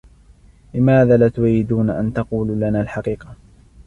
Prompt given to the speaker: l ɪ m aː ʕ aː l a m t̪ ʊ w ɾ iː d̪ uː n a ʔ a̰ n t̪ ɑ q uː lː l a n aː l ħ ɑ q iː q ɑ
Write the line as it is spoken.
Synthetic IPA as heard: l ɪ m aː ð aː l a t̪ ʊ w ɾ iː d̪ uː n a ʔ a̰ n t̪ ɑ q uː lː l a n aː l ħ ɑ q iː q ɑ